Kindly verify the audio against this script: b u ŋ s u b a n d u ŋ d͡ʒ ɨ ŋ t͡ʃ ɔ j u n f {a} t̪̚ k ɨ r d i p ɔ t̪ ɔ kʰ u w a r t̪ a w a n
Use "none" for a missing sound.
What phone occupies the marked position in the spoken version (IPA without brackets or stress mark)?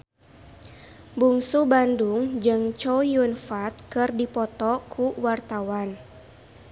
a